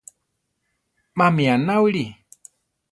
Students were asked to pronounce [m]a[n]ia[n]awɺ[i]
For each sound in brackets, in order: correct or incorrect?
correct, incorrect: m, correct, correct

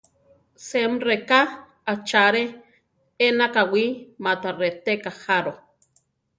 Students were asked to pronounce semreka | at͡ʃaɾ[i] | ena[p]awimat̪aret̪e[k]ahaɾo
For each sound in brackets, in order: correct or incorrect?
incorrect: e, incorrect: k, correct

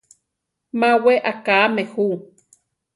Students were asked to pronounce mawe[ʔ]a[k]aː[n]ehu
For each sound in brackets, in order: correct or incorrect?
correct, correct, incorrect: m

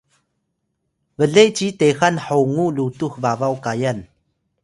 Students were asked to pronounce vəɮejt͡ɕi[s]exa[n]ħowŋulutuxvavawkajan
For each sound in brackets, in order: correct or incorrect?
incorrect: t, correct

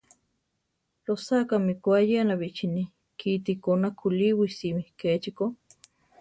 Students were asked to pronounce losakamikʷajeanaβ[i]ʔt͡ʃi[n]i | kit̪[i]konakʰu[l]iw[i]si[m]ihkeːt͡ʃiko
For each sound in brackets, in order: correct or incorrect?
correct, correct, correct, correct, correct, correct

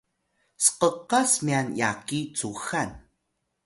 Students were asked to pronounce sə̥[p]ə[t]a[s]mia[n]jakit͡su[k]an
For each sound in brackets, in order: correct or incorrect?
incorrect: q, incorrect: q, correct, correct, incorrect: x

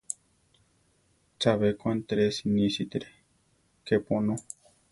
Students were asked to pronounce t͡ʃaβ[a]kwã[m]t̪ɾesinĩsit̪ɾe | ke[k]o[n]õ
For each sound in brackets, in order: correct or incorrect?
incorrect: e, incorrect: n, incorrect: p, correct

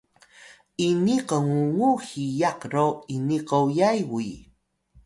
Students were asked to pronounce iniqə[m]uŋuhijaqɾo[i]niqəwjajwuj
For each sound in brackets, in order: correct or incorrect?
incorrect: ŋ, correct

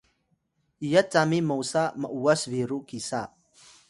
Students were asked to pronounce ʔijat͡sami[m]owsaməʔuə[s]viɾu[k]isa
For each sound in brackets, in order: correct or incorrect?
correct, correct, correct

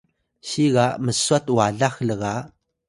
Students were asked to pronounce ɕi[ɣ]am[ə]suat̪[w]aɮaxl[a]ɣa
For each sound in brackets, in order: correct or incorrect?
correct, correct, correct, incorrect: ə

